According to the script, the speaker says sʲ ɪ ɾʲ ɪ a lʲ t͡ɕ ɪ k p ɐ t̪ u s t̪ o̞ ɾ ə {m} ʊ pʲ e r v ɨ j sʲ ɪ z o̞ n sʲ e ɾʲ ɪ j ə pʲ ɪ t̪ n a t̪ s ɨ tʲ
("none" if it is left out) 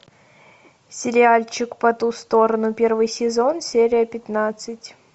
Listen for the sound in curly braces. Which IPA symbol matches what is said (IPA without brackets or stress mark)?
n